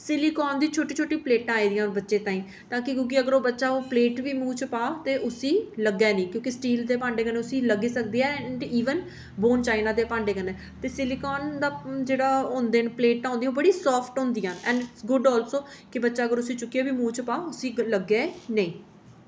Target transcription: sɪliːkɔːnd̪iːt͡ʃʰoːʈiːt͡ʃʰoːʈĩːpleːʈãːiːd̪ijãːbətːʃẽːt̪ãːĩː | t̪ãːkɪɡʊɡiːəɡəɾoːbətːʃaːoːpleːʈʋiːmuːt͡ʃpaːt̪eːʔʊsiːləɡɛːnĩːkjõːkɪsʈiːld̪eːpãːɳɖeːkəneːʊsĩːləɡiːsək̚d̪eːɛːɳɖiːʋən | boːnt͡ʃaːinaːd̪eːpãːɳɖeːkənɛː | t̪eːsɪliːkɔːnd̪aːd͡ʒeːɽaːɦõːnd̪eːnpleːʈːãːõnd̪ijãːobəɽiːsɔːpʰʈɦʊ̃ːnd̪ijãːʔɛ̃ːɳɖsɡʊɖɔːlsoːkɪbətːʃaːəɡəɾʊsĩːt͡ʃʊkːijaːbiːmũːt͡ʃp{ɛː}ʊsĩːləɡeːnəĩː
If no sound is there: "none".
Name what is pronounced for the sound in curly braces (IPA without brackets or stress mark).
aː